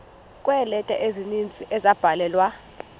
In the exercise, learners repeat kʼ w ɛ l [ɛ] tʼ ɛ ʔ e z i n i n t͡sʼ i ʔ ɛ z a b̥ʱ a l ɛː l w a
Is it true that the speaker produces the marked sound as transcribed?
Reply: yes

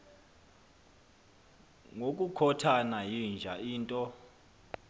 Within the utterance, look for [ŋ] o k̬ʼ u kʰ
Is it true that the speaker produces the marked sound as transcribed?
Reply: yes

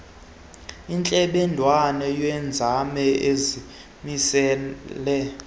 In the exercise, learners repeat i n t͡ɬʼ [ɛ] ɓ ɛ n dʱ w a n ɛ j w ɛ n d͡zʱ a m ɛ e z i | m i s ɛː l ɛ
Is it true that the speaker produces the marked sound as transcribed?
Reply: yes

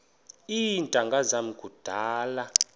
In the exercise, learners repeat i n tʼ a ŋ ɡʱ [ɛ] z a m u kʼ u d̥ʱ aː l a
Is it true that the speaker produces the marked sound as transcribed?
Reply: no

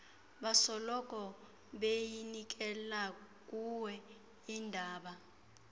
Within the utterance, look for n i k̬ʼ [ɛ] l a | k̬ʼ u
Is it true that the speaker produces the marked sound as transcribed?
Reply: yes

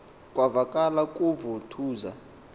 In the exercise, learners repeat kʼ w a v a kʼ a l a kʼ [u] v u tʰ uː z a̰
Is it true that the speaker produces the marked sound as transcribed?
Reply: yes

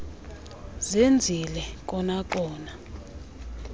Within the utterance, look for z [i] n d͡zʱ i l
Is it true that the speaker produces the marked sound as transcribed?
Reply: no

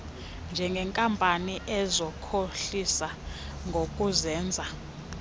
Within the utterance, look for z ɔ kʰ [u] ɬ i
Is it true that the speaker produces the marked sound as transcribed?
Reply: no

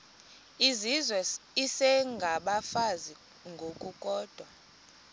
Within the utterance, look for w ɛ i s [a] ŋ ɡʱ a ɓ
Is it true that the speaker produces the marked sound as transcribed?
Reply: no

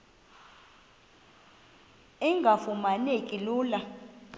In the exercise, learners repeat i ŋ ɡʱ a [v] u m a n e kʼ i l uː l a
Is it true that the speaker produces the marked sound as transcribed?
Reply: no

